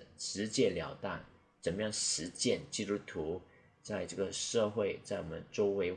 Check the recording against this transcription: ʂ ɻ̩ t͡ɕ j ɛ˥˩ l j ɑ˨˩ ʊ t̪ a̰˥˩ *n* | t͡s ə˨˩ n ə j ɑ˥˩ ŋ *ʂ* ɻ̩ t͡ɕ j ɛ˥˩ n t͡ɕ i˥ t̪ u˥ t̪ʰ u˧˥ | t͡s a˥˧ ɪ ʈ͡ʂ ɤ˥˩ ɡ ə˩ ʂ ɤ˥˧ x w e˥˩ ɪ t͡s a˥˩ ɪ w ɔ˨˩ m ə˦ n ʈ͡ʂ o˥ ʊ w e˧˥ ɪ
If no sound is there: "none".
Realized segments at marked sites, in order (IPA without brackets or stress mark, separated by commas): n, ʂ